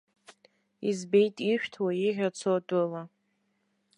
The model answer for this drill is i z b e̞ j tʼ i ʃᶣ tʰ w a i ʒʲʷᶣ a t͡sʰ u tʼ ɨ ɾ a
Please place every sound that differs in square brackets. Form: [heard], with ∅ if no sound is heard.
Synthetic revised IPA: i z b e̞ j tʼ i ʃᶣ tʰ w a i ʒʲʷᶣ a t͡sʰ [o] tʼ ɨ [l] a